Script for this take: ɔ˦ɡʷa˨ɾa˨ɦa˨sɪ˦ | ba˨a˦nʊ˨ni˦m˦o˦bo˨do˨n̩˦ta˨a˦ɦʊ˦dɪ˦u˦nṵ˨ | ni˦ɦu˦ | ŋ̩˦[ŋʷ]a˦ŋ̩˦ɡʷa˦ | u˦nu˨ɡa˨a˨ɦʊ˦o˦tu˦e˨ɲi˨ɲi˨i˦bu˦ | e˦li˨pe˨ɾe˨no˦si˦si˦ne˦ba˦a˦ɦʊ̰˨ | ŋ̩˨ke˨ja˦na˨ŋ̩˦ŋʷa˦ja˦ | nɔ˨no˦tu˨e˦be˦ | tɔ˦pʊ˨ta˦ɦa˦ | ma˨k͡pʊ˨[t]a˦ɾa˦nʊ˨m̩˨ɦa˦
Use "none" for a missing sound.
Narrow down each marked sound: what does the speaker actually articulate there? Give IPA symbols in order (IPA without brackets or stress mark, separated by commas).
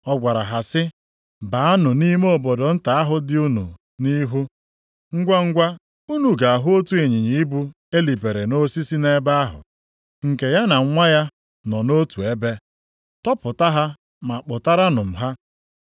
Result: ɡʷ, t